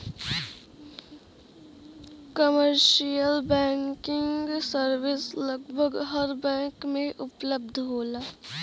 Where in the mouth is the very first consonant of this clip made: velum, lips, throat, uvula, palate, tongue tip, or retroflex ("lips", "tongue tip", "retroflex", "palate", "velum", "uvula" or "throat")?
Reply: velum